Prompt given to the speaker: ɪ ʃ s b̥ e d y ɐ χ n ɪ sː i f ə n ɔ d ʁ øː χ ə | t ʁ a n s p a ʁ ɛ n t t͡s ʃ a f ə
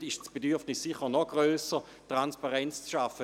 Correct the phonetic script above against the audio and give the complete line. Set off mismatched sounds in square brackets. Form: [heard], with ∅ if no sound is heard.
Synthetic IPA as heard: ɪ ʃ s b̥ e d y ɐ [f] n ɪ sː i [χ] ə n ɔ [ɡ] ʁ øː [s] ə | t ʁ a n s p a ʁ ɛ n [t͡s] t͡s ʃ a f ə